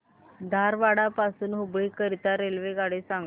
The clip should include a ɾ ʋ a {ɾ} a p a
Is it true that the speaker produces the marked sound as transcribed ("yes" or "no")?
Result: no